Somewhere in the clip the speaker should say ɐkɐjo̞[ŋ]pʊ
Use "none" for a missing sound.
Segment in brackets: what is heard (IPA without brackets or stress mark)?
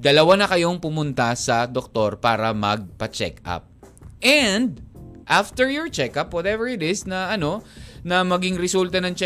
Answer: ŋ